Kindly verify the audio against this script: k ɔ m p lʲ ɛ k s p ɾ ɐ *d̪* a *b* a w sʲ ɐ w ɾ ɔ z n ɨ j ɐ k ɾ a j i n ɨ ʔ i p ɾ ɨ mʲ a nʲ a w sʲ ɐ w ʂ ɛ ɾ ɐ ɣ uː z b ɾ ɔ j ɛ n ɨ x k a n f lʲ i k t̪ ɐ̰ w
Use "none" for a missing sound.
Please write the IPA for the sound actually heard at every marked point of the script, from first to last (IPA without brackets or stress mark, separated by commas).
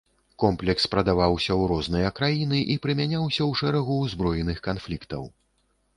d̪, v